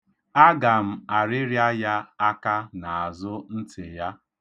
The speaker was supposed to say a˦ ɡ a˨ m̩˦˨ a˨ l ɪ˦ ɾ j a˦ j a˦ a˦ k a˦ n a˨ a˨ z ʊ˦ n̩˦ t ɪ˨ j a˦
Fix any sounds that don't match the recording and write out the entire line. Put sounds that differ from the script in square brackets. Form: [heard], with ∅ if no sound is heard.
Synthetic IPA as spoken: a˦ ɡ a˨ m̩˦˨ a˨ [ɾ] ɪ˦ ɾ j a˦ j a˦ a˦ k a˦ n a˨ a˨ z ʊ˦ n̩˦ t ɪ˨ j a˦

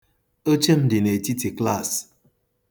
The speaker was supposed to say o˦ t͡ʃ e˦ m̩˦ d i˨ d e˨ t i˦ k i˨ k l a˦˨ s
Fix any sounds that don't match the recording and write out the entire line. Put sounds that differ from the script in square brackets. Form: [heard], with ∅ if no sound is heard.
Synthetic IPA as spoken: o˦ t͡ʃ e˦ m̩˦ d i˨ [n] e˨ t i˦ [t] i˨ k l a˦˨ s

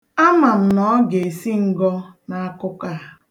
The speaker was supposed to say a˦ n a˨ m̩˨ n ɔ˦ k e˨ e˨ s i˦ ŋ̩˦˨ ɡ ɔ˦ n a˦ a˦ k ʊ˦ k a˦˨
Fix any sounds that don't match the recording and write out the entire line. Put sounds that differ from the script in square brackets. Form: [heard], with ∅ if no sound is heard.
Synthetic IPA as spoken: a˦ [m] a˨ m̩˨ n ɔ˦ [ɡ] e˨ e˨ s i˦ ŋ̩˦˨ ɡ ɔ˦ n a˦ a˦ k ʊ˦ k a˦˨

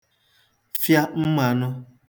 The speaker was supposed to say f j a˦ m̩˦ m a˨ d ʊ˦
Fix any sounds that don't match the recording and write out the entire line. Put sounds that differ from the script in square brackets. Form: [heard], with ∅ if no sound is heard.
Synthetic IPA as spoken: f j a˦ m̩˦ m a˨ [n] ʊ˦

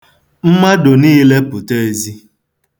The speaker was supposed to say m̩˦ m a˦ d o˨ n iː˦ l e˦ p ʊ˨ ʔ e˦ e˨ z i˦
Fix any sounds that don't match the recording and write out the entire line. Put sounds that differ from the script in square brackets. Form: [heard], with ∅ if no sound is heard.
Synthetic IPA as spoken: m̩˦ m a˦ d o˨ n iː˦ l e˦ p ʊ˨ [t] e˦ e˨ z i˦

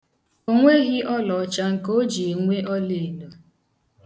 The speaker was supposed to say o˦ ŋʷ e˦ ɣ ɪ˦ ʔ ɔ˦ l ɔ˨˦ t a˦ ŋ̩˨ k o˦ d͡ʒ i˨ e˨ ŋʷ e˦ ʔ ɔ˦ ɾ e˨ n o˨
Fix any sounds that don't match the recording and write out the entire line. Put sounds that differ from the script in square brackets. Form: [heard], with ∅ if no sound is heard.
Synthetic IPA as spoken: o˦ ŋʷ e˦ ɣ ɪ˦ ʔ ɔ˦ l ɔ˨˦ [t͡ʃ] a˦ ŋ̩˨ k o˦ d͡ʒ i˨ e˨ ŋʷ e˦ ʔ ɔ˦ [l] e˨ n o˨

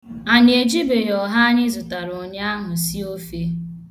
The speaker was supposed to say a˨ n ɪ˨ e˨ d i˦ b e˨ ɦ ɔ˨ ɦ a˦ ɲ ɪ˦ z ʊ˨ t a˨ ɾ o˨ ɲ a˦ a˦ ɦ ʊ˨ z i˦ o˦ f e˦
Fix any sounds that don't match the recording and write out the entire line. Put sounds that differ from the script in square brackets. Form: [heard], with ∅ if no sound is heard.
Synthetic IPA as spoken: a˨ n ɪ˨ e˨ [d͡ʒ] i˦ b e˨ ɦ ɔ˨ ɦ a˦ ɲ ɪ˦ z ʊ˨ t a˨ ɾ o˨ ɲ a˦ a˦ ɦ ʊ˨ [s] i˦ o˦ f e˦

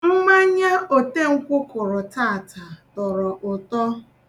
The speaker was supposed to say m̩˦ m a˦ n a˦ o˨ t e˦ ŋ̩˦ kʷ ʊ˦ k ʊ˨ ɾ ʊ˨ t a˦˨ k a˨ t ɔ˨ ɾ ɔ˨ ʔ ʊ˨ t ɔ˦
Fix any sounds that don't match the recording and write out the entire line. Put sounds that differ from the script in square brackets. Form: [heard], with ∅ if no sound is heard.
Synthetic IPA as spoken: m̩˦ m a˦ [ɲ] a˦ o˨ t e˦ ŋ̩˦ kʷ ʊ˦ k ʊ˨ ɾ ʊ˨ t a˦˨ [t] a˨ t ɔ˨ ɾ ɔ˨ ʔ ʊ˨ t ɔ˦

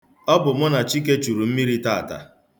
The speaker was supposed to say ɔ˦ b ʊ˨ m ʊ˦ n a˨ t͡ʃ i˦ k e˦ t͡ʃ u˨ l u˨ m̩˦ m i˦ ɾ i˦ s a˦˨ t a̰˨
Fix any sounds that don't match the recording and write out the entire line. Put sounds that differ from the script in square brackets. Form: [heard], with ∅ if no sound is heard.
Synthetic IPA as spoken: ɔ˦ b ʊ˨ m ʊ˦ n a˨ t͡ʃ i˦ k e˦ t͡ʃ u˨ [ɾ] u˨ m̩˦ m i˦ ɾ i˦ [t] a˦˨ t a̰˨

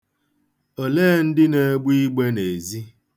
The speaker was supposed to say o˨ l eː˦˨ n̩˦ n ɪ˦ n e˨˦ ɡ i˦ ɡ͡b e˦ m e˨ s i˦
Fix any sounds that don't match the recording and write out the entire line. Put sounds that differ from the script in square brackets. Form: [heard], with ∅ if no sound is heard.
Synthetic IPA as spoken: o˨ l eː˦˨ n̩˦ [d] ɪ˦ n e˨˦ [ɡ͡b] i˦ ɡ͡b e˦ [n] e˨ [z] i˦

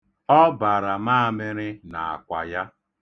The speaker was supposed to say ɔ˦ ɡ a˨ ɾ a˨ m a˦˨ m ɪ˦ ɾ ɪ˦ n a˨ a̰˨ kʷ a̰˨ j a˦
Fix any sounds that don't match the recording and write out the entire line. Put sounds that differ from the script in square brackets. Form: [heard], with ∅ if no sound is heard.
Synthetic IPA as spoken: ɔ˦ [b] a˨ ɾ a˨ m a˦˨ m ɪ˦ ɾ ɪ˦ n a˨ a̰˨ kʷ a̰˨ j a˦

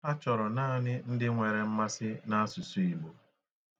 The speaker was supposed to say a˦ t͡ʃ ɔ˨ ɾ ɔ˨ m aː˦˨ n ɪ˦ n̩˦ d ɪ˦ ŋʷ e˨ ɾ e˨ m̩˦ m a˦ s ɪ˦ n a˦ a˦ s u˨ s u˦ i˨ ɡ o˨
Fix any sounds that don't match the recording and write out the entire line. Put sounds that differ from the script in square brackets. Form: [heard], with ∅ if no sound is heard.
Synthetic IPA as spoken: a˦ t͡ʃ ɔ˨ ɾ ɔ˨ [n] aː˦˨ n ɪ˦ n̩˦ d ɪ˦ ŋʷ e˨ ɾ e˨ m̩˦ m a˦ s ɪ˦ n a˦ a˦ s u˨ s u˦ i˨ [ɡ͡b] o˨

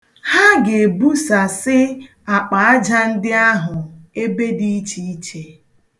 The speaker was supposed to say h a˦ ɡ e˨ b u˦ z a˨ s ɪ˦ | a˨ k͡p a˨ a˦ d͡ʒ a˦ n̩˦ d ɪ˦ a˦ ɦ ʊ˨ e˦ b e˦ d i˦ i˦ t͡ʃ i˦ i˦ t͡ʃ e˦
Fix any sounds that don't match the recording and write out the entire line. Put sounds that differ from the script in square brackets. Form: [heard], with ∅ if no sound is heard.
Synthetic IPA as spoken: h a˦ ɡ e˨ b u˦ [s] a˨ s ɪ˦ | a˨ k͡p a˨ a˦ d͡ʒ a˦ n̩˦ d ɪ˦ a˦ ɦ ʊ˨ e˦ b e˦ d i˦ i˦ t͡ʃ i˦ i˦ t͡ʃ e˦

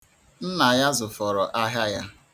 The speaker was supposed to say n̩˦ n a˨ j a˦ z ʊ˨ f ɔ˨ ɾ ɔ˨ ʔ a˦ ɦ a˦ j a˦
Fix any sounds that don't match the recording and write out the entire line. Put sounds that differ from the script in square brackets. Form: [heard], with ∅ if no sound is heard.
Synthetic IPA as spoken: n̩˦ n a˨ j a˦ z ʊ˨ f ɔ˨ ɾ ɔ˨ ʔ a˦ ɦ a˦ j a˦

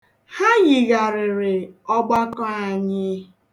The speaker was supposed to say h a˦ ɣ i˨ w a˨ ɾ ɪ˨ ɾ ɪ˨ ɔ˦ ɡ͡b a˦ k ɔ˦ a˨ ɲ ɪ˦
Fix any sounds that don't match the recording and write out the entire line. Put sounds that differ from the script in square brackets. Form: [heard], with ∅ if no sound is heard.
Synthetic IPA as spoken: h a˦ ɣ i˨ [ɣ] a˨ ɾ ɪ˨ ɾ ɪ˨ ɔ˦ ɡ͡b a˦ k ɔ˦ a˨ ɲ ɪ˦

